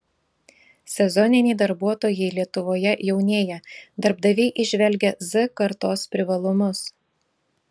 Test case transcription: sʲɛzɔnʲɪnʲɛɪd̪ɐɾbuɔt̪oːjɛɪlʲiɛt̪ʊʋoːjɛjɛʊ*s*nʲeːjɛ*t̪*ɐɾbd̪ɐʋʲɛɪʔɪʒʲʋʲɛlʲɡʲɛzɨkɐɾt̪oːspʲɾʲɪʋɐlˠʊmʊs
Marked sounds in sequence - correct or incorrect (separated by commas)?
incorrect, incorrect